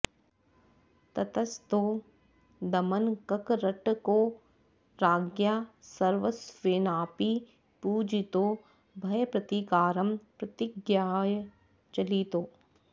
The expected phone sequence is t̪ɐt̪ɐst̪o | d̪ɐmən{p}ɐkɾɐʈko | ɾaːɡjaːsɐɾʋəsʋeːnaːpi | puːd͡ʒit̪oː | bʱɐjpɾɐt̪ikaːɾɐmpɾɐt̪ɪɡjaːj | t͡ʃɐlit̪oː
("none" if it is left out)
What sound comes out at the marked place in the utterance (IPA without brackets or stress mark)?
k